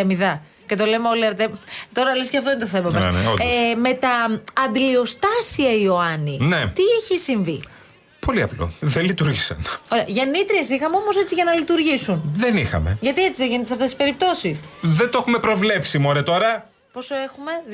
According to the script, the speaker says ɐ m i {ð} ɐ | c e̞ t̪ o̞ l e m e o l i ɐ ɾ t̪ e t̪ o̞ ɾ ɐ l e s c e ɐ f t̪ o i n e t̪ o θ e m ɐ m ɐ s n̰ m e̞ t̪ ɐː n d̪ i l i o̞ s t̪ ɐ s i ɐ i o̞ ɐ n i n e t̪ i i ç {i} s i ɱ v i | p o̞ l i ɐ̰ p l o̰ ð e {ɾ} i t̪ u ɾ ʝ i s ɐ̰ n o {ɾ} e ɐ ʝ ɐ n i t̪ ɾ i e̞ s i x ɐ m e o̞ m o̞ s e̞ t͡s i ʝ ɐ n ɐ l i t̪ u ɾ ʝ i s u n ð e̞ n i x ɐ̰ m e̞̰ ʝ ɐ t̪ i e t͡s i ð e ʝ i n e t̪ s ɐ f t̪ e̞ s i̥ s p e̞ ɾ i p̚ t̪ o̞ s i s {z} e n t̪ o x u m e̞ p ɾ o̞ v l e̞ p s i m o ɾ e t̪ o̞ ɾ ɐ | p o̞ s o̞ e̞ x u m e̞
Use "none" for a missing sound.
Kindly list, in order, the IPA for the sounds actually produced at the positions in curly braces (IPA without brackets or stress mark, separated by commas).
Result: ð, i, l, ɾ, ð